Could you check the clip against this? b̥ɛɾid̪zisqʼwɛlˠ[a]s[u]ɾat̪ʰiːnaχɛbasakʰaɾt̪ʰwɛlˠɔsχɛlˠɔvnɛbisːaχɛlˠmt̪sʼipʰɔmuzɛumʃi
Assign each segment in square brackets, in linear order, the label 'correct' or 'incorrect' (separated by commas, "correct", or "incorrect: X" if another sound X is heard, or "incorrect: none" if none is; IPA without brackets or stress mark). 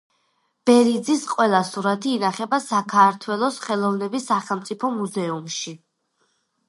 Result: correct, correct